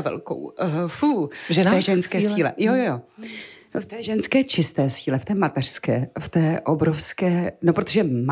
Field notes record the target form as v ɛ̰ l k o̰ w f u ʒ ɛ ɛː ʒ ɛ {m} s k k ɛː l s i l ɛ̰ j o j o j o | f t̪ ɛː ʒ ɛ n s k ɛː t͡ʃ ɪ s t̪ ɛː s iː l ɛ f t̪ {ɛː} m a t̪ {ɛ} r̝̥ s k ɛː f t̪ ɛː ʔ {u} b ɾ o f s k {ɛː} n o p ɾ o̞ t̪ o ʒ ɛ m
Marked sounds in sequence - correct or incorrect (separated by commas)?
incorrect, correct, correct, incorrect, correct